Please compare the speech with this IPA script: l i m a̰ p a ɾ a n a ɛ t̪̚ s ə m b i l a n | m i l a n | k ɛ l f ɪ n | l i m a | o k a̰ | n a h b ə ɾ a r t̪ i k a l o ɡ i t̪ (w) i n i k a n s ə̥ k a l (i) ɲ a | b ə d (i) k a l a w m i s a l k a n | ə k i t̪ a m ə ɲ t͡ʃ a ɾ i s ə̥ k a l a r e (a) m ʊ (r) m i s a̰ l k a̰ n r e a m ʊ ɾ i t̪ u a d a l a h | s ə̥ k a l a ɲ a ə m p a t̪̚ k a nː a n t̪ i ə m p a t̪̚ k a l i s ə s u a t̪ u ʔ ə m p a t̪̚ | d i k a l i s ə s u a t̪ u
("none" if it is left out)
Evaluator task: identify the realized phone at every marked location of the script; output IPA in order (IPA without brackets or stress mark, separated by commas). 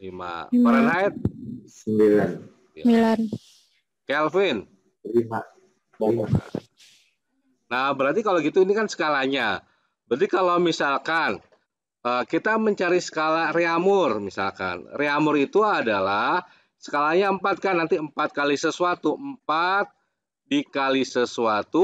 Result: u, a, i, a, r